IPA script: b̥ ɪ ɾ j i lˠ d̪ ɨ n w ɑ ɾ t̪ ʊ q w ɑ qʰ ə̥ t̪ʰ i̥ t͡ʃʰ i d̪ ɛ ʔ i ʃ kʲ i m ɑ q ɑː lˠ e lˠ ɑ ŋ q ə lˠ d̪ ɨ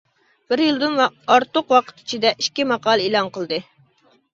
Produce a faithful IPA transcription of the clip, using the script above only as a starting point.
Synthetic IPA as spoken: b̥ ɪ ɾ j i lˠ d̪ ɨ n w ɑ ɾ t̪ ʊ q w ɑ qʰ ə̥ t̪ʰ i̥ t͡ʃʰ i d̪ ɛ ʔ i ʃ kʲ i m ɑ q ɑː lˠ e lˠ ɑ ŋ q ə lˠ d̪ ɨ